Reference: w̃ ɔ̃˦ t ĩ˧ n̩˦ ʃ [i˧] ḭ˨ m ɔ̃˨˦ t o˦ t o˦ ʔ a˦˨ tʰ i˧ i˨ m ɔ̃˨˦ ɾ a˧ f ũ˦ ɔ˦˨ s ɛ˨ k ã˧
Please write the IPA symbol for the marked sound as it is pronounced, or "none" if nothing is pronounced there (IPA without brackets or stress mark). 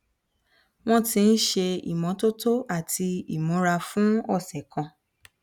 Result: e˧